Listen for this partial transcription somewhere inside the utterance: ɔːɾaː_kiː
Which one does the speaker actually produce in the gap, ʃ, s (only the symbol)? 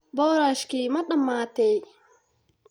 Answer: ʃ